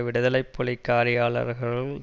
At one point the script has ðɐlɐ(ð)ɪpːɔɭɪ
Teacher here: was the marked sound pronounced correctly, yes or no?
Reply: no